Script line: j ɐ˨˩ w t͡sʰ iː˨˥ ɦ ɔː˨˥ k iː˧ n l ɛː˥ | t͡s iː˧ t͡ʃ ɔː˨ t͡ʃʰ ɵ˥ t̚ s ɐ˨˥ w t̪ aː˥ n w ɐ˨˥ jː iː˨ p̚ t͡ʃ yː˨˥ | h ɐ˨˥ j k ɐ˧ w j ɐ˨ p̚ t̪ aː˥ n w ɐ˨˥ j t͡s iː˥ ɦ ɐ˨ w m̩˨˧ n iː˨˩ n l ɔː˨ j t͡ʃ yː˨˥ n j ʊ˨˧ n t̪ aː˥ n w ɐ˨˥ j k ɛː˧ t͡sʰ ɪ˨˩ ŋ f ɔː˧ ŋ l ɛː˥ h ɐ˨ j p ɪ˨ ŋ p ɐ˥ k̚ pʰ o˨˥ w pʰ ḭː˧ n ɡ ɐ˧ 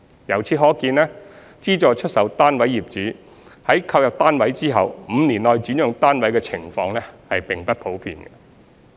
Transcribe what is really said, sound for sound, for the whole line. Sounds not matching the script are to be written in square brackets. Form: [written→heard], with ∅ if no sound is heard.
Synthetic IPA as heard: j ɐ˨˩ w t͡sʰ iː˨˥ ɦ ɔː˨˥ k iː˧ n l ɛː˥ | t͡s [iː˧→iː˥] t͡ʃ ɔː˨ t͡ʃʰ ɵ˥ t̚ s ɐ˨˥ w t̪ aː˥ n w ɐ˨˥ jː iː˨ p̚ t͡ʃ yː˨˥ | h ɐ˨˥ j [k→kʰ] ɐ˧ w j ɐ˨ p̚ t̪ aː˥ n w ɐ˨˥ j t͡s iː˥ ɦ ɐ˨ w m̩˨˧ n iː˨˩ n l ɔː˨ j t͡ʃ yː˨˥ n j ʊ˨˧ [n→ŋ] t̪ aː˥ n w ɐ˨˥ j k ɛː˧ t͡sʰ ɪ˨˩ ŋ f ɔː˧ ŋ l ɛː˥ h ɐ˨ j p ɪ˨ ŋ p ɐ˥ [k̚→t̚] pʰ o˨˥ w pʰ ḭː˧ n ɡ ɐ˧